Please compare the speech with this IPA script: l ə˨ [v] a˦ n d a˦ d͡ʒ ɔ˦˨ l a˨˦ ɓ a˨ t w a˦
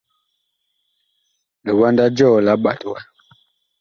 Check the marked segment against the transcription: incorrect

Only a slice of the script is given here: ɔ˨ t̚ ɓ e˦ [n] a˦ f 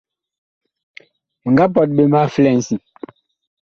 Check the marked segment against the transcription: incorrect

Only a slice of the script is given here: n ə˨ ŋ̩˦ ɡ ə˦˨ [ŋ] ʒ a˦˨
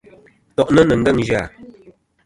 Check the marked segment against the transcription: correct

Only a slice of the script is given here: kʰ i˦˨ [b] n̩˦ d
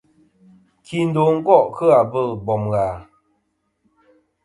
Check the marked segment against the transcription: incorrect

